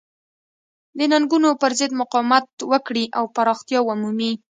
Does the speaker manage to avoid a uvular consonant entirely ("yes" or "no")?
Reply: no